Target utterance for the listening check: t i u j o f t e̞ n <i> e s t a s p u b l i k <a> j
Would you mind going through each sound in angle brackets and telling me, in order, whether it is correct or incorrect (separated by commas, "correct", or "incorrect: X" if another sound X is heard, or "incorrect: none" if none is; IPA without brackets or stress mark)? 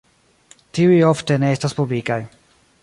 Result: incorrect: e, correct